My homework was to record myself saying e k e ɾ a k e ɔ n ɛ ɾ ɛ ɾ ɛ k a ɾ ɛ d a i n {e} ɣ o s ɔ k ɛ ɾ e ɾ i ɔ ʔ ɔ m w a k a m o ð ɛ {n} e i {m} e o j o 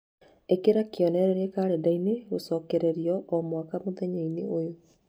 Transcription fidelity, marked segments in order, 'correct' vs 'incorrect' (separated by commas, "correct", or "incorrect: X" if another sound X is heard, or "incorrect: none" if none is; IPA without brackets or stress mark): correct, incorrect: ɲ, incorrect: n